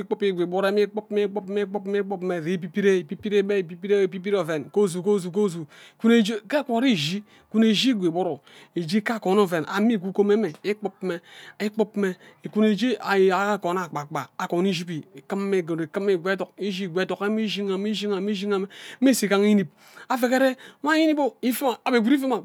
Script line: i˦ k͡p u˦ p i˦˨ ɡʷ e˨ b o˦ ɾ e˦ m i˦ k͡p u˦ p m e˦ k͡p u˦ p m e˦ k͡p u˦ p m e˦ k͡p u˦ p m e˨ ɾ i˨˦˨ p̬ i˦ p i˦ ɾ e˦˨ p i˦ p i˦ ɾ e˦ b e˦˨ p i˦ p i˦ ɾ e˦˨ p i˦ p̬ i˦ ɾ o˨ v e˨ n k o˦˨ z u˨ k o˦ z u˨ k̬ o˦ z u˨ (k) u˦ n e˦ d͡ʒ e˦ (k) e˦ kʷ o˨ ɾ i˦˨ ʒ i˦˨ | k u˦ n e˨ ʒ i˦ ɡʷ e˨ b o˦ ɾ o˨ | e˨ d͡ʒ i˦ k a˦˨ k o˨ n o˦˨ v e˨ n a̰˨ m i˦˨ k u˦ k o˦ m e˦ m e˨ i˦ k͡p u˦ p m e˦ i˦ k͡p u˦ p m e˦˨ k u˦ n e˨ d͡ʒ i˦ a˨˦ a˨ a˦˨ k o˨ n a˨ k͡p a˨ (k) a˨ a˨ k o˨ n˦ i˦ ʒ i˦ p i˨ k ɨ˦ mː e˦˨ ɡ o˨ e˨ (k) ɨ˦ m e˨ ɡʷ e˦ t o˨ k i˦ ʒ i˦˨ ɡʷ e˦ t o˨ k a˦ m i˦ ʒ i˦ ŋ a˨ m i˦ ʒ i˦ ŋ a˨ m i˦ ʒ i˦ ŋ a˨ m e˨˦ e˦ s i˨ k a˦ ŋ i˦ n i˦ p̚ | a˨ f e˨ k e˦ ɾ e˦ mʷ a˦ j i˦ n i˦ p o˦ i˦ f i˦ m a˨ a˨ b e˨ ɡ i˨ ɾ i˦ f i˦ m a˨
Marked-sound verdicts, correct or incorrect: correct, correct, incorrect: k͡p, correct

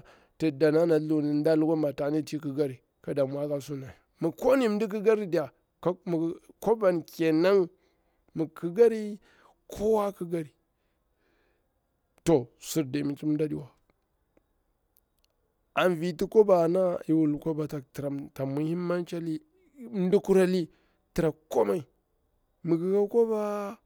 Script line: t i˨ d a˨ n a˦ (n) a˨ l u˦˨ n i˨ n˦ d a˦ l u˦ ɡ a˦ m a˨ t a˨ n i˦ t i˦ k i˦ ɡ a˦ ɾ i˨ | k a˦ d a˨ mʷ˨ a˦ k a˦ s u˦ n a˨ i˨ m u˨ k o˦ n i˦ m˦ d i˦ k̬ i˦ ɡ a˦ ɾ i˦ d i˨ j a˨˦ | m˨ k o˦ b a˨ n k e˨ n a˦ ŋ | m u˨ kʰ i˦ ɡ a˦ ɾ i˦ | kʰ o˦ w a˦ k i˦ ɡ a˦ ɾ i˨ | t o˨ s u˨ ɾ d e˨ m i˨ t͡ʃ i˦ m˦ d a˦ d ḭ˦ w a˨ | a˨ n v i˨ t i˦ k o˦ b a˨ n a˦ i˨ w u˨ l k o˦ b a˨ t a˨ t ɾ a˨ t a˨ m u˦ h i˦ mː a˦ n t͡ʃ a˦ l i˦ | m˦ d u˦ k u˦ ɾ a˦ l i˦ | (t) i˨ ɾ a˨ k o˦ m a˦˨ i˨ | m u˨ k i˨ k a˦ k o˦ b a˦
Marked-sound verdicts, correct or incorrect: correct, correct

